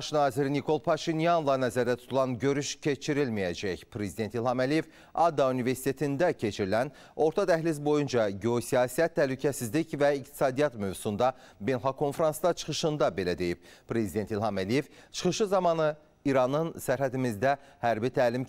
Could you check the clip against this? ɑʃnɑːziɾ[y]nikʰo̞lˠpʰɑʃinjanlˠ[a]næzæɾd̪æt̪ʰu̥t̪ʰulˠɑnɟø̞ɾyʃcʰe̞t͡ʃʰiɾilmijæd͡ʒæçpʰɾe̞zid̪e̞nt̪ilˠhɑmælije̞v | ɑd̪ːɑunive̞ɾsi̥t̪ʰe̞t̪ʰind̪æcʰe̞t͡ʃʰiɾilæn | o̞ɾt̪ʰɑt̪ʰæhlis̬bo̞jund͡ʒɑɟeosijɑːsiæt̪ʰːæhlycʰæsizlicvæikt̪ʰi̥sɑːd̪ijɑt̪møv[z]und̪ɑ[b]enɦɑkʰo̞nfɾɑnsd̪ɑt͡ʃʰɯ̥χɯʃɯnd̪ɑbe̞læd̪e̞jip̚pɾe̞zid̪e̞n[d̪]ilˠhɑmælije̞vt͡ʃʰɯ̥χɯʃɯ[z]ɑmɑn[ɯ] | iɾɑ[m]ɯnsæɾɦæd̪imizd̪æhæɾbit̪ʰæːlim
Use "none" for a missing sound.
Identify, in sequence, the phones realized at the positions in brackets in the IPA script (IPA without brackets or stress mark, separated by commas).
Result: i, ɑ, s, b, t̪, z, ɯ, n